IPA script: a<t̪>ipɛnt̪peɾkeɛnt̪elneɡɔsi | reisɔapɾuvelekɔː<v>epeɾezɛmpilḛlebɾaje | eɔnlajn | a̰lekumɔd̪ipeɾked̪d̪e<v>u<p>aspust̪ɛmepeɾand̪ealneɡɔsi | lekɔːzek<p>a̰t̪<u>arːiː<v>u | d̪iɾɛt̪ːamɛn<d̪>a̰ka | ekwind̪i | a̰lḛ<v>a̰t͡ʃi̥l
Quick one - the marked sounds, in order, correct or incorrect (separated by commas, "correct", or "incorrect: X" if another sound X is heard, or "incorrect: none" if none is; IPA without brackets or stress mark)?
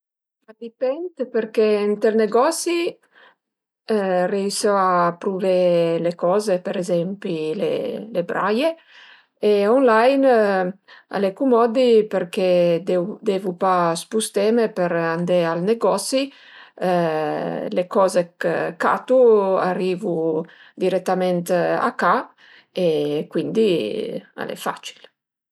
incorrect: d̪, incorrect: z, correct, correct, incorrect: k, correct, correct, incorrect: t̪, incorrect: f